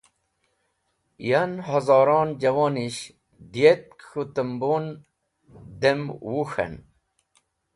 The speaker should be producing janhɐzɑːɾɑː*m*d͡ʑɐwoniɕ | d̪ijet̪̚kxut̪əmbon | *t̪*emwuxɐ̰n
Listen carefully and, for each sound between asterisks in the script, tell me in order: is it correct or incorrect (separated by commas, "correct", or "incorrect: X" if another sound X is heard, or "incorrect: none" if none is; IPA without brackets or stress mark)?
incorrect: n, incorrect: d̪